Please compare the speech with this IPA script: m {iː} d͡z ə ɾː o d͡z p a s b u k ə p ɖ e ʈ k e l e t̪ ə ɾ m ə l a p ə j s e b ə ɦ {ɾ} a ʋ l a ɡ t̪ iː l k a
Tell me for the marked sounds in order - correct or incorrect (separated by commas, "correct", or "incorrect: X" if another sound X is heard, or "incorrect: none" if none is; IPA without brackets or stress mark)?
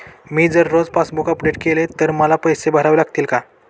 correct, correct